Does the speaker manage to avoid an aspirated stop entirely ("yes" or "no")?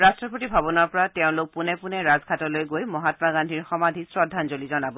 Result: yes